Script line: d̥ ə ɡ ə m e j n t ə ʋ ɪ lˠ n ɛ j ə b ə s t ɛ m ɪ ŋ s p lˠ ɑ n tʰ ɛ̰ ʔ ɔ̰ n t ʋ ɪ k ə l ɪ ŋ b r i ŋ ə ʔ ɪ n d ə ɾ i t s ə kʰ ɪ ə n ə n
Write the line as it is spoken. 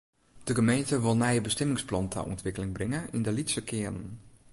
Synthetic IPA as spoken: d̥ ə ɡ ə m e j n t ə ʋ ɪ lˠ n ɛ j ə b ə s t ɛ m ɪ ŋ s p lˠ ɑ n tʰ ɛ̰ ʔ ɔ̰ n t ʋ ɪ k ə l ɪ ŋ b r ɪ ŋ ə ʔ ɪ n d ə l i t s ə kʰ ɪ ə n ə n